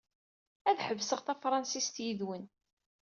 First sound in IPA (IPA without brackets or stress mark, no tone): æ